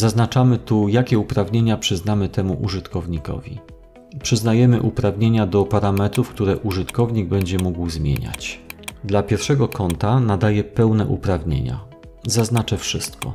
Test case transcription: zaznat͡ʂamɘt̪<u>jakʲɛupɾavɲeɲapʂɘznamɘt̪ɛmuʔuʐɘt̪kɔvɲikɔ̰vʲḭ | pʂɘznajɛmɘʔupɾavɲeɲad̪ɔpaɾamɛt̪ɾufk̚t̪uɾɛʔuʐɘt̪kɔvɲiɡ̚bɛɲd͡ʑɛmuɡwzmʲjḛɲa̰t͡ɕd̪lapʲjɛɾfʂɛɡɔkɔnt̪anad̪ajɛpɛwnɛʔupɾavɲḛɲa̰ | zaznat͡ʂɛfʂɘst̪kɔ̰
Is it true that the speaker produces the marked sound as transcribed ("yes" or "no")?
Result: yes